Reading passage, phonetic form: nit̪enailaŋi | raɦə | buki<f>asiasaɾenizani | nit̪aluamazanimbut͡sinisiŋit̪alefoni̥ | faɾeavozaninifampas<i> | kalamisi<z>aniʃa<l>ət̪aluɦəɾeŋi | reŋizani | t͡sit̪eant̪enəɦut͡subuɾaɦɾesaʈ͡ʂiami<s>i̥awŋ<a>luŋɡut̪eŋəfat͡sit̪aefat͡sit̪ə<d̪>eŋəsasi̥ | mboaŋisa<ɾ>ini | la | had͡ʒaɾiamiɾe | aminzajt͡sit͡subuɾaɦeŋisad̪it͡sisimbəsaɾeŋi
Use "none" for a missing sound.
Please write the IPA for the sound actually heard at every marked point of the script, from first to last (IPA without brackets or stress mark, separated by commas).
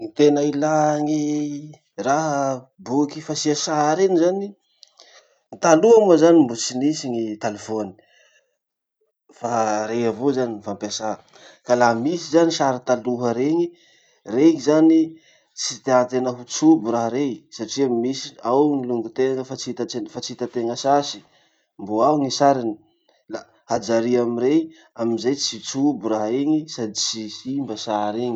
f, a, z, ɾ, s, i, t̪, ɾ